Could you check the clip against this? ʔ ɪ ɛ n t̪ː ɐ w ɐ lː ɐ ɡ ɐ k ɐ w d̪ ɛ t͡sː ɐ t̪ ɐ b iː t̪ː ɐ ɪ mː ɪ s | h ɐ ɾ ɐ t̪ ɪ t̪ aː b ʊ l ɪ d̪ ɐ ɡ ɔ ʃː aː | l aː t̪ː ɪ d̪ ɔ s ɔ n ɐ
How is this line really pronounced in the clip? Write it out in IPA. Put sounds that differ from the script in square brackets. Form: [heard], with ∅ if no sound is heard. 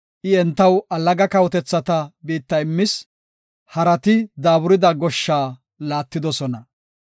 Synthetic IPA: ʔ ɪ ɛ n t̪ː ɐ w ɐ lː ɐ ɡ ɐ k ɐ w [t̪] ɛ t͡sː ɐ t̪ ɐ b iː t̪ː ɐ ɪ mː ɪ s | h ɐ ɾ ɐ t̪ ɪ [d̪] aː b ʊ [ɾ] ɪ d̪ ɐ ɡ ɔ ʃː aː | l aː t̪ː ɪ d̪ ɔ s ɔ n ɐ